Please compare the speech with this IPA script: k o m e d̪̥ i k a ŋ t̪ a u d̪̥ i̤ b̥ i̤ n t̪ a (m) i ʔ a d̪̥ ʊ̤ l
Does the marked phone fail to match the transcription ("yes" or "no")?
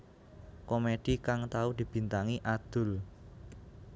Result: yes